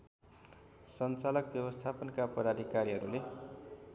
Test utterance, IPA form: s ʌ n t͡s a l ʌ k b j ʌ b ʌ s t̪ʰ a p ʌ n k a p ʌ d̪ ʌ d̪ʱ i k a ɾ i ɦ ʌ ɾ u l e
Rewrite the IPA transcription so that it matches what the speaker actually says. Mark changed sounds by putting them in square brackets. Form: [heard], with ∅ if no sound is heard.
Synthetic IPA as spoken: s ʌ n t͡s a l ʌ k b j ʌ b ʌ s t̪ʰ a p ʌ n k a p ʌ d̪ [a] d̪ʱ i k a ɾ i ɦ ʌ ɾ u l e

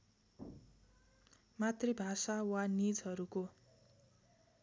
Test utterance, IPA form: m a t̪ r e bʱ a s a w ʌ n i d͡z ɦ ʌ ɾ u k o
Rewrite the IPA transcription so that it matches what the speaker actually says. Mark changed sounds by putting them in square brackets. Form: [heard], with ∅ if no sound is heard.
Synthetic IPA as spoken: m a t̪ r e bʱ a s a w [a] n i d͡z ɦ ʌ ɾ u k o

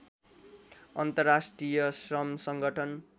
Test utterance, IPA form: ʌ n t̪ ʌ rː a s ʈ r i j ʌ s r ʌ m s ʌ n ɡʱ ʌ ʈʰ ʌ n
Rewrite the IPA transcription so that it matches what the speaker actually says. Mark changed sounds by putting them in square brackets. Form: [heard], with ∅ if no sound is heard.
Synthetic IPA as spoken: ʌ n t̪ ʌ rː a s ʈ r i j ʌ s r ʌ m s ʌ [ŋ] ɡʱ ʌ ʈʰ ʌ n

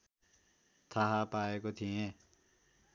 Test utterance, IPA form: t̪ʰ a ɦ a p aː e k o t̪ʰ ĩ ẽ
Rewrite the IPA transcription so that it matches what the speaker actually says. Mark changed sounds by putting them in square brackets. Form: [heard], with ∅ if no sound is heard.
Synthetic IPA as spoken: t̪ʰ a ɦ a p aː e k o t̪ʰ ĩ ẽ

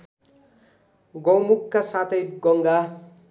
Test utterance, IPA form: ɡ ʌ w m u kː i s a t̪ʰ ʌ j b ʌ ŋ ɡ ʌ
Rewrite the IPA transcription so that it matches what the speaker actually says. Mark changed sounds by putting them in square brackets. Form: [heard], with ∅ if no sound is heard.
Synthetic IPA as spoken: ɡ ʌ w m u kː [a] s a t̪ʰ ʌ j [ɡ] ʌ ŋ ɡ [a]

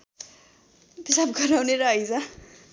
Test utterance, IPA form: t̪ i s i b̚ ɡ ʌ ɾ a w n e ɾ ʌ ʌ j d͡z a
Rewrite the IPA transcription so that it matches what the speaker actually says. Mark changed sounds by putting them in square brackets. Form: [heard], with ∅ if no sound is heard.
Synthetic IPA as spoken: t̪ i s [a] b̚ ɡ ʌ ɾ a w n e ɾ ʌ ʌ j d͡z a

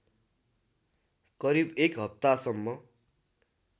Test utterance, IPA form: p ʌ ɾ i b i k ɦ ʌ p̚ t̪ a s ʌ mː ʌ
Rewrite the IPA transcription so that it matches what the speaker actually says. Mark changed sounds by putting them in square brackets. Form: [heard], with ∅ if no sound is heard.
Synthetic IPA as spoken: [k] ʌ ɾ i b [e] k ɦ ʌ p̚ t̪ a s ʌ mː ʌ

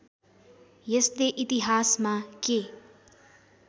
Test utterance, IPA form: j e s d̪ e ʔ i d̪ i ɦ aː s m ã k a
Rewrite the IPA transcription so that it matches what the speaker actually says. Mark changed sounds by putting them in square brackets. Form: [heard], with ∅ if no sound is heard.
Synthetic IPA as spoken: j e s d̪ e ʔ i [t̪] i ɦ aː s m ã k [e]

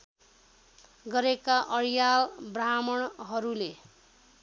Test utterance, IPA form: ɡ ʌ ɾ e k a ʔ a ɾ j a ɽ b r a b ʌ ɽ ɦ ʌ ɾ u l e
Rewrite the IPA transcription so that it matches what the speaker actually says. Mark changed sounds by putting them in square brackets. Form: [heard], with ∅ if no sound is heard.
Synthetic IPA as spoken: ɡ ʌ ɾ e k a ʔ [ʌ] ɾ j a [l] b r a [m] ʌ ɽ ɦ ʌ ɾ u l e

